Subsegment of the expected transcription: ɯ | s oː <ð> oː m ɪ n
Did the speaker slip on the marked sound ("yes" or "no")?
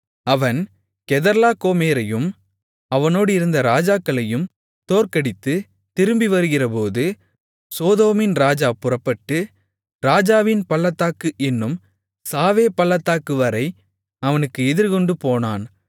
no